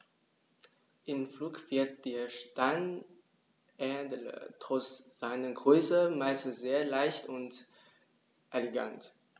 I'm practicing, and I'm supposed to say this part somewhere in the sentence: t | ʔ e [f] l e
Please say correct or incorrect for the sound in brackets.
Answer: incorrect